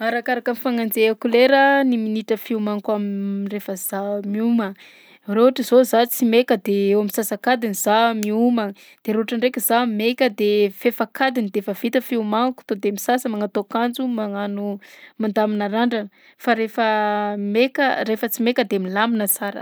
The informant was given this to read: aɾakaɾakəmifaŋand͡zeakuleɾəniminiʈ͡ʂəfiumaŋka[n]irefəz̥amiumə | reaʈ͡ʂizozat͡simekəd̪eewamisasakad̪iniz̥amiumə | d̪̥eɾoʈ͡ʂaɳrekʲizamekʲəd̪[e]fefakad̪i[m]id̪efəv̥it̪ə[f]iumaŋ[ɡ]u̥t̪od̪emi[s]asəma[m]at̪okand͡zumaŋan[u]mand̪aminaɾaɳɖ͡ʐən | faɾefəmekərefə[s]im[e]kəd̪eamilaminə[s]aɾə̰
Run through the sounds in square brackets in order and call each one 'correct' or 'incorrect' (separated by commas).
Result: incorrect, correct, incorrect, correct, incorrect, correct, incorrect, correct, incorrect, correct, incorrect